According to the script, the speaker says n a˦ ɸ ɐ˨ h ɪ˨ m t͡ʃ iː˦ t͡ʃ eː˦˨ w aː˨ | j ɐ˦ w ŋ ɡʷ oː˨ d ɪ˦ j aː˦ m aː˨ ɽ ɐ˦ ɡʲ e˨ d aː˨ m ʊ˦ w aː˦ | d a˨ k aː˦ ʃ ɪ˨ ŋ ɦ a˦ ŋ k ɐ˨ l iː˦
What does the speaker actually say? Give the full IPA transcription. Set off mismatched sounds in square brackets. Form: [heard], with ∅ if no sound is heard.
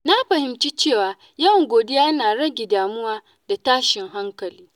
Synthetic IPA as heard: n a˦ ɸ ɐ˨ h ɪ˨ m t͡ʃ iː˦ t͡ʃ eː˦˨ w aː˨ | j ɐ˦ w ŋ ɡʷ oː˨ d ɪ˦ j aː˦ [n] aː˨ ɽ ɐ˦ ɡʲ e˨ d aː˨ m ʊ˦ w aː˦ | d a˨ [t] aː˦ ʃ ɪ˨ ŋ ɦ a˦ ŋ k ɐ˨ l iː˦

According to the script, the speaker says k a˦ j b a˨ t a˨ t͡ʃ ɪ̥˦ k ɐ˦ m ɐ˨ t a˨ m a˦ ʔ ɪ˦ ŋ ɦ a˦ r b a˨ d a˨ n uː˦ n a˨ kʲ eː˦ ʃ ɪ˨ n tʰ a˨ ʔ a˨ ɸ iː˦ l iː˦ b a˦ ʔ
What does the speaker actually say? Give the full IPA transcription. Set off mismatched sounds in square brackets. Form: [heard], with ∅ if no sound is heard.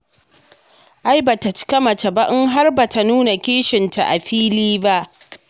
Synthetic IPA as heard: [ʔ] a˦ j b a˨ t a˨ t͡ʃ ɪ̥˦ k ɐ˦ m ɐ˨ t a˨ [b] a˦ ʔ ɪ˦ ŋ ɦ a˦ r b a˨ [t] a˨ n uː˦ n a˨ kʲ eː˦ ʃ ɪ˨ n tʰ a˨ ʔ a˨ ɸ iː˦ l iː˦ b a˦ ʔ

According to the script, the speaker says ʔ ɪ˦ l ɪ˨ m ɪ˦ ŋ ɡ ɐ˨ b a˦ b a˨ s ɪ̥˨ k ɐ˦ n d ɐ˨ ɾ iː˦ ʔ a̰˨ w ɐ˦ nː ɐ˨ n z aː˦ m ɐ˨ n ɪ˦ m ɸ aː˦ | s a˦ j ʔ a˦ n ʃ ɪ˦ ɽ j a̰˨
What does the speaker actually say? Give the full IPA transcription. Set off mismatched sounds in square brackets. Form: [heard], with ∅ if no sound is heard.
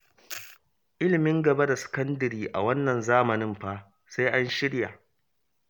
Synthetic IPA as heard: ʔ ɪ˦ l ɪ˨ m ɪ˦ ŋ ɡ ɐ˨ b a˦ [d] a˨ s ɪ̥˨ k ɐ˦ n d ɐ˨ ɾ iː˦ ʔ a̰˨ w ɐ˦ nː ɐ˨ n z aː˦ m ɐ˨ n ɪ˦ m ɸ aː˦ | s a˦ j ʔ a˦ n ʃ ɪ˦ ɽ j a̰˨

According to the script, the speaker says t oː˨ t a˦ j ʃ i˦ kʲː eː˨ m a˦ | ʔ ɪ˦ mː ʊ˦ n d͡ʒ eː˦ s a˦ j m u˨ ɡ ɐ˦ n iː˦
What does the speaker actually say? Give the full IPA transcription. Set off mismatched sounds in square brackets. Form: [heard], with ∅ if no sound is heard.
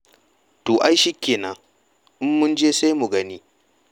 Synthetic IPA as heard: t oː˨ [ʔ] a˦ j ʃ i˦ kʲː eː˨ [n] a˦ | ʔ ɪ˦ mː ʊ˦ n d͡ʒ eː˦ s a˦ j m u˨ ɡ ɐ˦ n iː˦

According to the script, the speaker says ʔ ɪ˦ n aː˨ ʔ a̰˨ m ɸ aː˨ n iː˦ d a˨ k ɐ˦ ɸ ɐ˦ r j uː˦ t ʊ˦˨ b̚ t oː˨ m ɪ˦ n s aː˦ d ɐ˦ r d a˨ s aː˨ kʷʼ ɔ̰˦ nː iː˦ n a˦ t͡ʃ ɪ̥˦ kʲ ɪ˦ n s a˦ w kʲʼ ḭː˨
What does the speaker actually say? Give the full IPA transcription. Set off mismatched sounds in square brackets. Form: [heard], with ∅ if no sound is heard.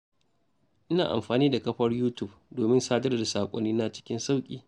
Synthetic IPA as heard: ʔ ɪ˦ n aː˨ ʔ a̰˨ m ɸ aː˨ n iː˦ d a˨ k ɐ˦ ɸ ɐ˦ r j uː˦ t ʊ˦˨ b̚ [d] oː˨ m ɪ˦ n s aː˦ d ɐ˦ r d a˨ s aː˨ kʷʼ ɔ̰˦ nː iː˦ n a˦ t͡ʃ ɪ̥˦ kʲ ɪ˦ n s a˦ w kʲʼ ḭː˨

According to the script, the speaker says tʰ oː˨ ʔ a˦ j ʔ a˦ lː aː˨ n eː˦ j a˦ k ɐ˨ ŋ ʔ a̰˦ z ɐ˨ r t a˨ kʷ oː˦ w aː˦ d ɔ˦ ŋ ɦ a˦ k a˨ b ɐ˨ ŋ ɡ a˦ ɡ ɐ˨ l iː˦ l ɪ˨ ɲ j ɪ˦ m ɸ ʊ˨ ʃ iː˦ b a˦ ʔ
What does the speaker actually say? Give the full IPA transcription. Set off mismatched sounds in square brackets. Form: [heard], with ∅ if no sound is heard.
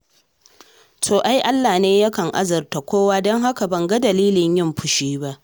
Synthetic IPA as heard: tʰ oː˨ ʔ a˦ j ʔ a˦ lː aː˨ n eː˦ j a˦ k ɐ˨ ŋ ʔ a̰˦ z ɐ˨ r t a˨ kʷ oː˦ w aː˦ d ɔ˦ ŋ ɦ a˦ k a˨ b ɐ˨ ŋ ɡ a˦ [d] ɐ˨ l iː˦ l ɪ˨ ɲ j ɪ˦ m ɸ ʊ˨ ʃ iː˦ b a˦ ʔ

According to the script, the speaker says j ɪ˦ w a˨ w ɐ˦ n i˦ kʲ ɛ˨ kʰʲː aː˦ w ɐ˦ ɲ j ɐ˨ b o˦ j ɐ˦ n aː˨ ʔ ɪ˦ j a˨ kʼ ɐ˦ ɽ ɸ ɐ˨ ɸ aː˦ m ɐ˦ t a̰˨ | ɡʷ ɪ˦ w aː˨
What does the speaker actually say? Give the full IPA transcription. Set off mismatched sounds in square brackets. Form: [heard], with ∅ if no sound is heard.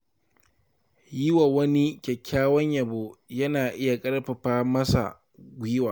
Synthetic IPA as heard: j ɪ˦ w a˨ w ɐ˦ n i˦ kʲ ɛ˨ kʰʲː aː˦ w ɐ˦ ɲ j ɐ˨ b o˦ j ɐ˦ n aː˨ ʔ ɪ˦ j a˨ kʼ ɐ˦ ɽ ɸ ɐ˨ ɸ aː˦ m ɐ˦ [s] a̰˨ | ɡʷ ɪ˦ w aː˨

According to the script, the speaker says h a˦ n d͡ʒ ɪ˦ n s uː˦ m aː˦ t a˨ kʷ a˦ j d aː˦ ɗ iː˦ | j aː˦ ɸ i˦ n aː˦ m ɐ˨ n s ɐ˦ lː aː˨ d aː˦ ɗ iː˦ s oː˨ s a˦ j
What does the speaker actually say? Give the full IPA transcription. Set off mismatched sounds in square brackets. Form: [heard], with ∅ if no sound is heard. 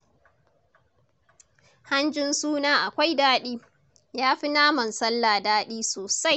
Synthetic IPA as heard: h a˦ n d͡ʒ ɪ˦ n s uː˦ [n] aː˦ [ʔ] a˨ kʷ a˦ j d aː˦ ɗ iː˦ | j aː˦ ɸ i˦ n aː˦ m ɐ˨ n s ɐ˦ lː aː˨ d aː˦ ɗ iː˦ s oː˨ s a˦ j

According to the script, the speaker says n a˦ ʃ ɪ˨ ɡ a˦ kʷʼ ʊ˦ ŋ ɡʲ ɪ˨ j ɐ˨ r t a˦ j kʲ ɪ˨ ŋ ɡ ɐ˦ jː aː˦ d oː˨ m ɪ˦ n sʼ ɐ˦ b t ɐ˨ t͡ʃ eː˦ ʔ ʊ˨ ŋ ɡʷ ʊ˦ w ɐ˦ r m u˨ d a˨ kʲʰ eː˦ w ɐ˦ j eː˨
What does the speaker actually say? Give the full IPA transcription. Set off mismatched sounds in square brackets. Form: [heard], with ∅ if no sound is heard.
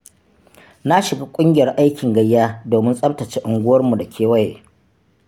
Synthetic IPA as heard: n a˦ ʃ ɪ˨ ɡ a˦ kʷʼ ʊ˦ ŋ ɡʲ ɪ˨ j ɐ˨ r [ʔ] a˦ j kʲ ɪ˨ ŋ ɡ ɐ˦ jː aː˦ d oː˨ m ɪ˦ n sʼ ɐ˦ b t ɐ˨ t͡ʃ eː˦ ʔ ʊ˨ ŋ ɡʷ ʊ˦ w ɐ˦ r m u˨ d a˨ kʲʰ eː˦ w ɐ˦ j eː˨

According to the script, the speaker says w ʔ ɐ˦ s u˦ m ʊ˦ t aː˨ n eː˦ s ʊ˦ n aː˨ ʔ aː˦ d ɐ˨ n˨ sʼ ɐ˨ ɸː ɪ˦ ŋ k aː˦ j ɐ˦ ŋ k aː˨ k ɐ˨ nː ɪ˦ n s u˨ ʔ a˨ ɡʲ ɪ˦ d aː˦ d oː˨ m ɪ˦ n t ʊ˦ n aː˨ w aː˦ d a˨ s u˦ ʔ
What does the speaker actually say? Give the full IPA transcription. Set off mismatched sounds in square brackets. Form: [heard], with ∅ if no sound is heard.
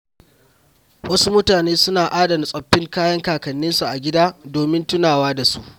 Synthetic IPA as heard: w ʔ ɐ˦ s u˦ m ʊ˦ t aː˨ n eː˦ s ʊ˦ n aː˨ ʔ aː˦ d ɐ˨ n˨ sʼ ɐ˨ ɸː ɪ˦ ŋ k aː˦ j ɐ˦ ŋ k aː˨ k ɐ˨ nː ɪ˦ n s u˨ ʔ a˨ ɡʲ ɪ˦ d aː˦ d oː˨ m ɪ˦ n t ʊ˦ n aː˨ w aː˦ d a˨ s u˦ ʔ

